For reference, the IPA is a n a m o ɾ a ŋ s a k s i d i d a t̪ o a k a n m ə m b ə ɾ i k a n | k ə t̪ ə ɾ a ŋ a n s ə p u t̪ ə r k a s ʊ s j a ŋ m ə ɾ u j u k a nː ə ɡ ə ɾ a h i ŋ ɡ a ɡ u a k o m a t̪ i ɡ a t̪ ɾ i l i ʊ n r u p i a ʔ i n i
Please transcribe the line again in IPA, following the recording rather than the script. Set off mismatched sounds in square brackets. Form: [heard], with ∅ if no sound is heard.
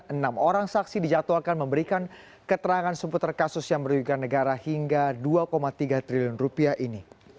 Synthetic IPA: [ə] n a m o ɾ a ŋ s a k s i d i [d͡ʒ] a t̪ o a k a n m ə m b ə ɾ i k a n | k ə t̪ ə ɾ a ŋ a n s ə p u t̪ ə r k a s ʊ s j a ŋ m ə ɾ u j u k a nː ə ɡ [a] ɾ a h i ŋ ɡ a [d] u a k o m a t̪ i ɡ a t̪ ɾ i l i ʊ n r u p i a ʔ i n i